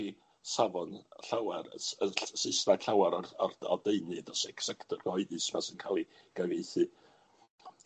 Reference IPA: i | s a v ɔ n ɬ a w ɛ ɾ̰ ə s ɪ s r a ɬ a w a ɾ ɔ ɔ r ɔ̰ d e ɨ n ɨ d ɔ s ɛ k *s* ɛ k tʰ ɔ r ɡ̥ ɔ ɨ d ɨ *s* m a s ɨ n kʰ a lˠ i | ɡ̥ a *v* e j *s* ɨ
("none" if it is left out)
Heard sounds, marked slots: s, s, v, θ

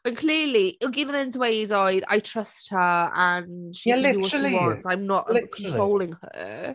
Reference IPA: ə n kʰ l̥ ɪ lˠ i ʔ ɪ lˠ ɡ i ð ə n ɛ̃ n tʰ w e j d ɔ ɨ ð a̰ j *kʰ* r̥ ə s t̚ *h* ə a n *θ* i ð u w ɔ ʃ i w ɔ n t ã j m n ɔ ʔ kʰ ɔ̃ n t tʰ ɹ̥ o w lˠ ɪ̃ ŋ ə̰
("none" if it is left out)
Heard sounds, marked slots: tʰ, h, ʃ

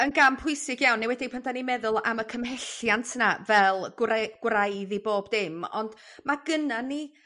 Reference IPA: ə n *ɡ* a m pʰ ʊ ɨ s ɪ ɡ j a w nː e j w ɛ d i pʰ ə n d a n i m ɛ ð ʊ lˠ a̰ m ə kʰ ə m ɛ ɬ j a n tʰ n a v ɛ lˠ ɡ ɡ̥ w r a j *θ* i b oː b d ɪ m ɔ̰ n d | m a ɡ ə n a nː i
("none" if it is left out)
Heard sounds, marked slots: ɡ, ð

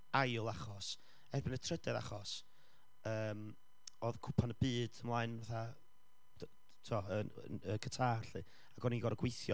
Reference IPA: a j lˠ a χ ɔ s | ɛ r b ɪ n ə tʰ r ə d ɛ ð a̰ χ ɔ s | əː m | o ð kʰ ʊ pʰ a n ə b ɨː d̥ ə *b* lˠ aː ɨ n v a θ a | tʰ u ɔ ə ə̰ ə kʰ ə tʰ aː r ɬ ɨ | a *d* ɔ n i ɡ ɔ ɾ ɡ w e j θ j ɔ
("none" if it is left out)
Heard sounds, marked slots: m, ɡ

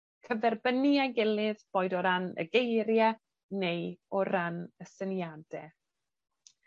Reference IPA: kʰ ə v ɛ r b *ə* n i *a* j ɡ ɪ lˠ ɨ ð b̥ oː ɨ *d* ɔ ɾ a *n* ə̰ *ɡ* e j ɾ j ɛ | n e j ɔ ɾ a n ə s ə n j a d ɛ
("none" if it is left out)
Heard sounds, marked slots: ə, a, d, n, ɡ

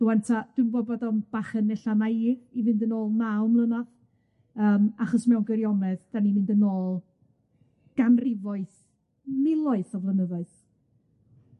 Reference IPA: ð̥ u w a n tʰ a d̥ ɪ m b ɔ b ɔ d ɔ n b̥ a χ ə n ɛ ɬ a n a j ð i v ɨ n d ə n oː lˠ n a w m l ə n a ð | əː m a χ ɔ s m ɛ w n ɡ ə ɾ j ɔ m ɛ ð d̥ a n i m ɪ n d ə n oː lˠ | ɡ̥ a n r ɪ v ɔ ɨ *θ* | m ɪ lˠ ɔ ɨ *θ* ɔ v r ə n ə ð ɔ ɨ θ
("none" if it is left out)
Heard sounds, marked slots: θ, θ

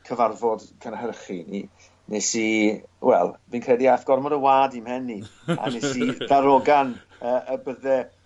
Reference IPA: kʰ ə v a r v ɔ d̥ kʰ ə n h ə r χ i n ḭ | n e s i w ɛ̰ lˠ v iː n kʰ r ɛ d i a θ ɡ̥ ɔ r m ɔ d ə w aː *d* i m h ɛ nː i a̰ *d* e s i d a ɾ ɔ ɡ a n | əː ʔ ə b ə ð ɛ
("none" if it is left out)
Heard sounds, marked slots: d, n

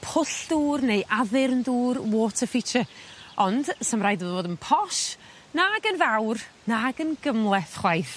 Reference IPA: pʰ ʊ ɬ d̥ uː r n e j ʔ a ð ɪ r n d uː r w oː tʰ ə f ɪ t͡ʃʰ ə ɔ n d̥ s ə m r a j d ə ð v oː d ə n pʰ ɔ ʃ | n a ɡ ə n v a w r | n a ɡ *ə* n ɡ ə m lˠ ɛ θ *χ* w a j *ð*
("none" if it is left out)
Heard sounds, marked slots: ə, χ, θ

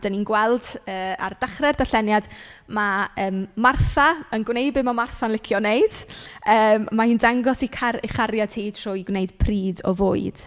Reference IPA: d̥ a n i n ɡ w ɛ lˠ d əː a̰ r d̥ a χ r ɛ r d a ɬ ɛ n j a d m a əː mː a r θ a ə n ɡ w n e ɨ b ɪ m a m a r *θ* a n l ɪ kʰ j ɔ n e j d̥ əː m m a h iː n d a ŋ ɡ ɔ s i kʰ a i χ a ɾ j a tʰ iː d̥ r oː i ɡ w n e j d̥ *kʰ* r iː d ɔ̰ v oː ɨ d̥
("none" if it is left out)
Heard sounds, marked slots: θ, pʰ

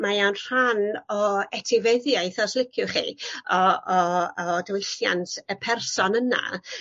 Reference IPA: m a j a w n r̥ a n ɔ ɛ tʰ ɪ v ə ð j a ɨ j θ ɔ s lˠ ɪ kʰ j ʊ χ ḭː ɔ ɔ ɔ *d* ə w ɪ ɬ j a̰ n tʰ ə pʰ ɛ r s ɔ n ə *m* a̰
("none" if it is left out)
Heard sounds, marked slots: d, n

